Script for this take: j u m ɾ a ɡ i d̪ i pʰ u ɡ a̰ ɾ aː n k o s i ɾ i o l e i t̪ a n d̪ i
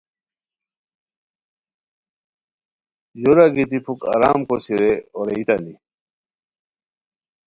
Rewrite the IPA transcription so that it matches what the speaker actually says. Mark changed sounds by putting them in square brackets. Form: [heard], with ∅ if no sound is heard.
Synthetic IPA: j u [∅] ɾ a ɡ i [t̪] i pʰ u [k] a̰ ɾ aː [m] k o s i ɾ [e] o [ɾ] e i t̪ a n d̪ i